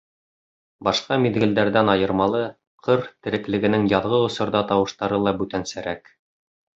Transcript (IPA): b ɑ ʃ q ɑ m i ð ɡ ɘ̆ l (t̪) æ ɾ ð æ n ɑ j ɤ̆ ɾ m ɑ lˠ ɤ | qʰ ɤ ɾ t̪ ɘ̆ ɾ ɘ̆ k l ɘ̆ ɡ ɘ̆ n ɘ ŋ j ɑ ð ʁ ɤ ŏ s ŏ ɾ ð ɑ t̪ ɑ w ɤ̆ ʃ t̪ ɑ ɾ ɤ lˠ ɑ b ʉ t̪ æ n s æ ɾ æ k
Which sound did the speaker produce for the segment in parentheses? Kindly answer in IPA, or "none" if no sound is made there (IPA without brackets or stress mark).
d̪